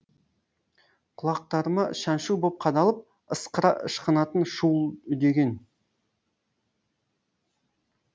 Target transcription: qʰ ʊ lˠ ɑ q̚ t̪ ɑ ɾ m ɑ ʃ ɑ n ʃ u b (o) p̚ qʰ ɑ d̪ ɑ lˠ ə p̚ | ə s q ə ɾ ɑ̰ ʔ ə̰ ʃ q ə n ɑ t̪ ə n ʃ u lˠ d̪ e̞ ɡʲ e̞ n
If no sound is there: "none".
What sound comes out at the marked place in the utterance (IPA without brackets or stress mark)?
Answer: o